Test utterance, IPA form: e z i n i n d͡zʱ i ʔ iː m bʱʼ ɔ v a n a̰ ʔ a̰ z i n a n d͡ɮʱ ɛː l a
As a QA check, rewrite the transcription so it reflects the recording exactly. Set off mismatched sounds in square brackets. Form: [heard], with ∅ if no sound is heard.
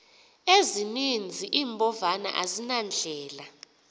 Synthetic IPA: e z i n i n d͡zʱ i ʔ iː m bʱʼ ɔ v a n a̰ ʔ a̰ z i n a n d͡ɮʱ ɛː l a